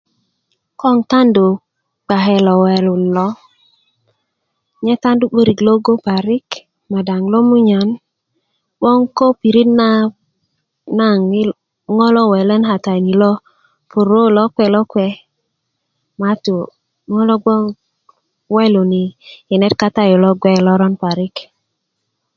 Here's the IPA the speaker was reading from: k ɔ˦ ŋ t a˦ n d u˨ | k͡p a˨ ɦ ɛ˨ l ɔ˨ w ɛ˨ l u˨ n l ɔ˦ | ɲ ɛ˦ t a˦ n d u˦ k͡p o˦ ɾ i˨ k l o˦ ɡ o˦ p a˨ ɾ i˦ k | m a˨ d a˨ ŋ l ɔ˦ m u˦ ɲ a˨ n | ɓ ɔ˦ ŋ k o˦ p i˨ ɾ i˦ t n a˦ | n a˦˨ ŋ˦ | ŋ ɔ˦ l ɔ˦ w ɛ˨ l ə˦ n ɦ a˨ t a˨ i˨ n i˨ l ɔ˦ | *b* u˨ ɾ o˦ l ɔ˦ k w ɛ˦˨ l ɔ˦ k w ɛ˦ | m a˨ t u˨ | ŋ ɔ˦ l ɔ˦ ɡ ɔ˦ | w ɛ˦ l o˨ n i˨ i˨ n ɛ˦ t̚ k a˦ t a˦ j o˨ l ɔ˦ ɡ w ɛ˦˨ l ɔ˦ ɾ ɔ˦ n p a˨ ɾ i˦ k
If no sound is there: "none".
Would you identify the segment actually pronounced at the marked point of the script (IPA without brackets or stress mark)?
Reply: p